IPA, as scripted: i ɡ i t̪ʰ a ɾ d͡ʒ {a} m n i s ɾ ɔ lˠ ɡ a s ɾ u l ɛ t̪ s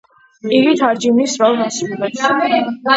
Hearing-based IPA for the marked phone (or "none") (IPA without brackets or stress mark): i